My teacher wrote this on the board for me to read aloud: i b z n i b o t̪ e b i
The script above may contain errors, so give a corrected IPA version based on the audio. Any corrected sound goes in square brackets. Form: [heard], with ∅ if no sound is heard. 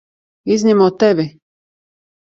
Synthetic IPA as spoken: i [∅] z n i [m] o t̪ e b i